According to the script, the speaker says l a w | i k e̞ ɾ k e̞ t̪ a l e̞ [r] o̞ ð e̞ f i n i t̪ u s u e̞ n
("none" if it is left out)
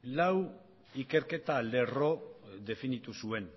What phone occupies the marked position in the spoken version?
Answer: r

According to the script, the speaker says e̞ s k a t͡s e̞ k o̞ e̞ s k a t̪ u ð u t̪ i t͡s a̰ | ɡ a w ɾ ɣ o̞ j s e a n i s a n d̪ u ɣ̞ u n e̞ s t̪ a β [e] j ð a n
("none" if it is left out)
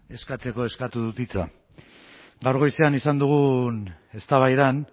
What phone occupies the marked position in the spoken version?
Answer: a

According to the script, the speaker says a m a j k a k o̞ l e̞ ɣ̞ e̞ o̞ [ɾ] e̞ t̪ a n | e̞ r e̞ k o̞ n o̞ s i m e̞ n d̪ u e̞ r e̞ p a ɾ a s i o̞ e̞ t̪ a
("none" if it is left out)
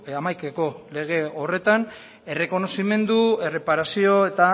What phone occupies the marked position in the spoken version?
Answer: r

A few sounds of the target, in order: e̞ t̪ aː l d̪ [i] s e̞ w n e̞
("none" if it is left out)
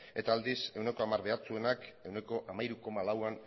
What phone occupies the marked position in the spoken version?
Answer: i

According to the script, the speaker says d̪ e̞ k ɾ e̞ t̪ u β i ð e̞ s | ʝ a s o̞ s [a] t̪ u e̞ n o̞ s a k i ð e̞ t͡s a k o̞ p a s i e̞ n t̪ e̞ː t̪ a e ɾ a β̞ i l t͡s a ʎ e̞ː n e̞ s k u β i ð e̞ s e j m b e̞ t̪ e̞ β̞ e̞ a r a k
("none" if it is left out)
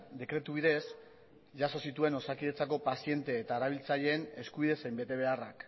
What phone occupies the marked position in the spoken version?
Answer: i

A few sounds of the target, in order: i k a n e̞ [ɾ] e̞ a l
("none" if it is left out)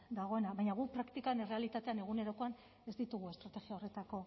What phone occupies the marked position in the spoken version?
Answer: r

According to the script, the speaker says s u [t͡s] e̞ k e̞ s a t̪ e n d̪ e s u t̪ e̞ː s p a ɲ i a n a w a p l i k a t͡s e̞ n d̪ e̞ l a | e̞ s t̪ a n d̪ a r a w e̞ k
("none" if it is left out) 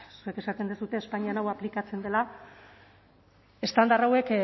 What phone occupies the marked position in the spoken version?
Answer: none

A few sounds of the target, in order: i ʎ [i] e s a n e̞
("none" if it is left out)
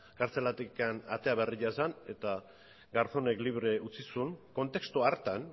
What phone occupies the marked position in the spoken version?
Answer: a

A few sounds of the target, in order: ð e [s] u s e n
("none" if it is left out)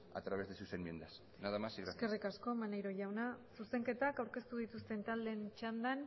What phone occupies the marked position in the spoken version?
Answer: s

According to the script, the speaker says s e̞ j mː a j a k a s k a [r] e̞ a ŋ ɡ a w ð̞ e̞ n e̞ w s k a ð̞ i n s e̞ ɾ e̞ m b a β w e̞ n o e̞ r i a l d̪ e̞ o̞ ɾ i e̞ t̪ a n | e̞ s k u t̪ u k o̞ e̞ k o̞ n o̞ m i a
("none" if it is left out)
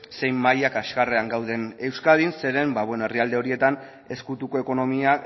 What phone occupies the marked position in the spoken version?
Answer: r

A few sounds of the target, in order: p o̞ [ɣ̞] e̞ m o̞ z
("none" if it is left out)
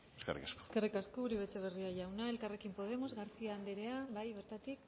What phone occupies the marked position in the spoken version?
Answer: ð̞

